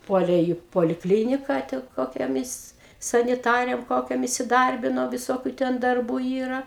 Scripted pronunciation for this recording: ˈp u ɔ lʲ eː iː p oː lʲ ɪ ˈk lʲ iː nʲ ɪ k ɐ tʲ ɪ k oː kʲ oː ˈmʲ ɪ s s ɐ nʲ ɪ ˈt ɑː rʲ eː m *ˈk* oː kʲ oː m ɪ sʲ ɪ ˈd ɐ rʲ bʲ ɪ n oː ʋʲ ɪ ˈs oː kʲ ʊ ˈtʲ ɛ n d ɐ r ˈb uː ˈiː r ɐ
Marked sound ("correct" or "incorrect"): correct